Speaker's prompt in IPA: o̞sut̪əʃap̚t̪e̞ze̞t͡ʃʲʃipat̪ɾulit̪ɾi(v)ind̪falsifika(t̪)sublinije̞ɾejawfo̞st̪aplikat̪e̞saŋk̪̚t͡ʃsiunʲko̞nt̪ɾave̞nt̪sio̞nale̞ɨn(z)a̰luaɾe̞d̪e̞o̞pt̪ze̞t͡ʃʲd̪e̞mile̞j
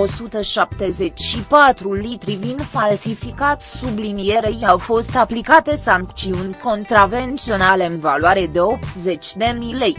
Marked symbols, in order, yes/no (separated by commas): yes, yes, no